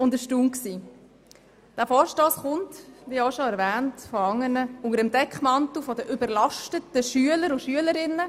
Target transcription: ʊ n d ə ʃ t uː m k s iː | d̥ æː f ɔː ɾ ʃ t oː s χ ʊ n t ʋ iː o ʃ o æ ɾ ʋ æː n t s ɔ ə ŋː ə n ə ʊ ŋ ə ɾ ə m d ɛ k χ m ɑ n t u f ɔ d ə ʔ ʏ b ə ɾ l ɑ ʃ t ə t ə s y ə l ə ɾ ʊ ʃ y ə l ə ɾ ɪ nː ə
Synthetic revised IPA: ʊ n d ə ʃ t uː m k s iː | d̥ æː f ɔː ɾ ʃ t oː s χ ʊ n t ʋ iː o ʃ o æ ɾ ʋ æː n t f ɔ ɑ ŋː ə n ə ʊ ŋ ə ɾ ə m d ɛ k χ m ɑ n t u f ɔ d ə ʔ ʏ b ə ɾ l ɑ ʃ t ə t ə ʃ y ə l ə ɾ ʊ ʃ y ə l ə ɾ ɪ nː ə